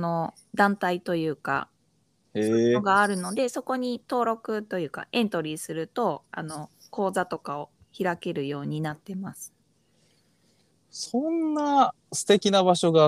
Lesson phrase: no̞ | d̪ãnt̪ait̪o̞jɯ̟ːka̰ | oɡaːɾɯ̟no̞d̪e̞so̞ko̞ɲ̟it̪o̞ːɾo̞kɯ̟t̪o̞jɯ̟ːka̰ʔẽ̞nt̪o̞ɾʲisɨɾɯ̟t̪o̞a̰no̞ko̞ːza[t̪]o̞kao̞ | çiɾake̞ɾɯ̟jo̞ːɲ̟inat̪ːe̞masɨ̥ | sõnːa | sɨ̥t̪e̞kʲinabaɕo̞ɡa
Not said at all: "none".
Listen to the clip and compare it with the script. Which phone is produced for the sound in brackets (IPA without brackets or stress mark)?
t̪